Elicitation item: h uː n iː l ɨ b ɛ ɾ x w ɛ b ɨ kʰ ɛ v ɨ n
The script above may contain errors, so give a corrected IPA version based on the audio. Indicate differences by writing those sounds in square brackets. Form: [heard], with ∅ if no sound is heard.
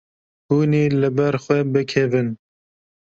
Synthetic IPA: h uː n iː l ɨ b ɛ ɾ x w ɛ b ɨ kʰ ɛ v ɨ n